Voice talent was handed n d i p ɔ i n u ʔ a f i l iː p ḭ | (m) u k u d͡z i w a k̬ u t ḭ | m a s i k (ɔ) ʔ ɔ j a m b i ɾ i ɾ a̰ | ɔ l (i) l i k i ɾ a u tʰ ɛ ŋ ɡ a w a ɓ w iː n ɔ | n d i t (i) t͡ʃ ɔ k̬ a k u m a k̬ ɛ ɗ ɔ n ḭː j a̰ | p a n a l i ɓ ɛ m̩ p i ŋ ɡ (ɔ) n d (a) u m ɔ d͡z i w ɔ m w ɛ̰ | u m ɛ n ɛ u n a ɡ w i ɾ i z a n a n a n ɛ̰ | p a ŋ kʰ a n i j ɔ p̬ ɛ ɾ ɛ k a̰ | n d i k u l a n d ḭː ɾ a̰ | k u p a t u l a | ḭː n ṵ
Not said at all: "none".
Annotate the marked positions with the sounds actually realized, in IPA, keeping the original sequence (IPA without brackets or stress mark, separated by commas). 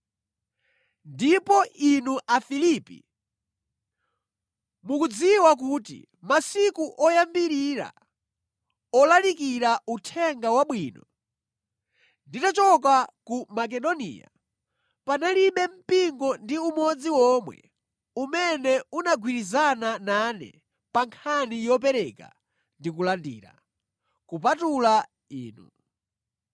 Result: m, u, a, a, ɔ, i